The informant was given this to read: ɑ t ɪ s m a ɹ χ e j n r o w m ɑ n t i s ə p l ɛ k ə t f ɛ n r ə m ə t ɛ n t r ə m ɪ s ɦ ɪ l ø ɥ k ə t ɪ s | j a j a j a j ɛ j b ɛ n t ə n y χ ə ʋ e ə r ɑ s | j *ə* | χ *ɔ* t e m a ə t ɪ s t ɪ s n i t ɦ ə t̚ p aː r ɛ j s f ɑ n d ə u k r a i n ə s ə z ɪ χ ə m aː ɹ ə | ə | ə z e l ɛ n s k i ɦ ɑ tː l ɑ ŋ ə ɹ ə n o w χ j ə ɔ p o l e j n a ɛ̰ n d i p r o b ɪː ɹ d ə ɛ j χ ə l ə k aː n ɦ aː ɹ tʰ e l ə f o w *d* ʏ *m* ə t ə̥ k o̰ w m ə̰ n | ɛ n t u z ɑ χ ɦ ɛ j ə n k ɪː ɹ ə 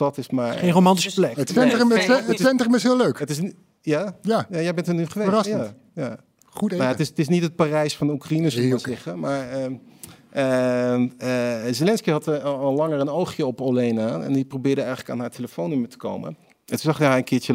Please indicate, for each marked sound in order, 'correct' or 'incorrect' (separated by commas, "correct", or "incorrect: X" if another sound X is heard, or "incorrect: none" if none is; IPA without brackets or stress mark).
incorrect: a, incorrect: u, incorrect: n, correct